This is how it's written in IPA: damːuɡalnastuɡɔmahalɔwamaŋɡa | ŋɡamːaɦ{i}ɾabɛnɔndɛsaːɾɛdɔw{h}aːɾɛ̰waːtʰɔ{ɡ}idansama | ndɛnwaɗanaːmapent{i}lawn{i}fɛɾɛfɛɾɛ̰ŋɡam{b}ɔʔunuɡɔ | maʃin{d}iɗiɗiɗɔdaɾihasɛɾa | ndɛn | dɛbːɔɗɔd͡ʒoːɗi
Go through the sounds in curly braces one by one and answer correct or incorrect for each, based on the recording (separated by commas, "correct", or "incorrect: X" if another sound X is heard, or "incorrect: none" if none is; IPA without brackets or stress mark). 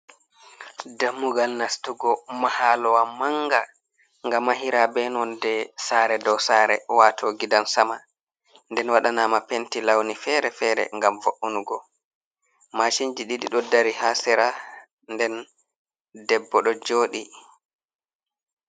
correct, incorrect: s, correct, correct, correct, incorrect: v, incorrect: d͡ʒ